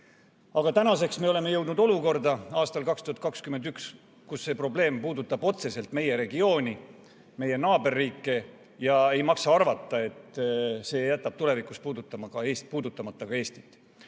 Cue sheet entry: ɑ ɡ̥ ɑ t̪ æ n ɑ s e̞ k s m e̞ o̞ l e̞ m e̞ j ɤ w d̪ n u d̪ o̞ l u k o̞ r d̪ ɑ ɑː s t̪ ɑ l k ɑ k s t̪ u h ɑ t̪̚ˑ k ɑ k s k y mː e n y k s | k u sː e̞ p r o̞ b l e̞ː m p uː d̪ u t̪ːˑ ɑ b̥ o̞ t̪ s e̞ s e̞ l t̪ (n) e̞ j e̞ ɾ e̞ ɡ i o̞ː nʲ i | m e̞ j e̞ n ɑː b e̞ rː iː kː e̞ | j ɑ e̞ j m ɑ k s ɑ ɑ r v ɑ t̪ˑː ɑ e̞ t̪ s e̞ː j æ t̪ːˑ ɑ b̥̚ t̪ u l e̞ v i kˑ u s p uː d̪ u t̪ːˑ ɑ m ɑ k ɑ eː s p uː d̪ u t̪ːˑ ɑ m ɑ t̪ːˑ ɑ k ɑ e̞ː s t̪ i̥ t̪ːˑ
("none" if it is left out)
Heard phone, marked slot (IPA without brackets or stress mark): m